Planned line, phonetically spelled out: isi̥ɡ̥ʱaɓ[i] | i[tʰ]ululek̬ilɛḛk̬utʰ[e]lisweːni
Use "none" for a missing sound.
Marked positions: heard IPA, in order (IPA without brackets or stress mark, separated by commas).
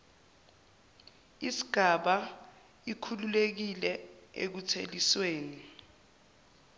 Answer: a, kʰ, e